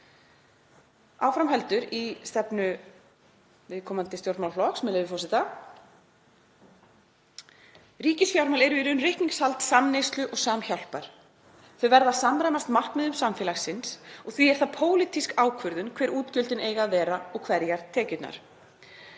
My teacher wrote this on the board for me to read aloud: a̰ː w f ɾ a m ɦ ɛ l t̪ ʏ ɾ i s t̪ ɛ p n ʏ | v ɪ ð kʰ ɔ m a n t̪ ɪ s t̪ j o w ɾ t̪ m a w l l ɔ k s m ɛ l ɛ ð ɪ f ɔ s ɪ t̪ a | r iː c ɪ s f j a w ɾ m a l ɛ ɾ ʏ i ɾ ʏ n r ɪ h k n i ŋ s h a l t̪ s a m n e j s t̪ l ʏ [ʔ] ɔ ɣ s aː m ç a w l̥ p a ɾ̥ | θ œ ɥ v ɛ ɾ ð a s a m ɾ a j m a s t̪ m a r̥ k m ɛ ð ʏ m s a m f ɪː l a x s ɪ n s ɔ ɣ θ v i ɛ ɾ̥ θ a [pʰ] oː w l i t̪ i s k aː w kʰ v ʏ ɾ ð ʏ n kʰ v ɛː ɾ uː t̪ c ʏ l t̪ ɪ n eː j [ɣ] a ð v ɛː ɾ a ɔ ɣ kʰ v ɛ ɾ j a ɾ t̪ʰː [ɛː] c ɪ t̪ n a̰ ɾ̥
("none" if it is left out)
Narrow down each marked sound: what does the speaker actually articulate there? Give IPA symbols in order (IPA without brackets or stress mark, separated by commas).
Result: ʔ, pʰ, ɣ, ɛː